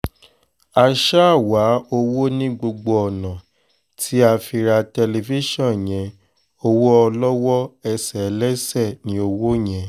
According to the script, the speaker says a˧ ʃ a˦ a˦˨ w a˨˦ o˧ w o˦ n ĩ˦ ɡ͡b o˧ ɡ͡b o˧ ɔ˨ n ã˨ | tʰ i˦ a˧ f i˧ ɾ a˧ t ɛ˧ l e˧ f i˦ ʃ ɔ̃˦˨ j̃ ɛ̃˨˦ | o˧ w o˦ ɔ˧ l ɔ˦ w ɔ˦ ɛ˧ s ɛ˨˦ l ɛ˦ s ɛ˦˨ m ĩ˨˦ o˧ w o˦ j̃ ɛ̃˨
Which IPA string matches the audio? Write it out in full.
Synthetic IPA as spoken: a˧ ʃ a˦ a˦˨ w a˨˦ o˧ w o˦ n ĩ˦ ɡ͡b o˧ ɡ͡b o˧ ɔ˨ n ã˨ | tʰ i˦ a˧ f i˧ ɾ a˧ t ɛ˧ l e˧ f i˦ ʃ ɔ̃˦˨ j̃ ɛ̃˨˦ | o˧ w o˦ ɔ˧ l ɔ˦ w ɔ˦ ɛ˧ s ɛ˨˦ l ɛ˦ s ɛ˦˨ n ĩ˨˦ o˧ w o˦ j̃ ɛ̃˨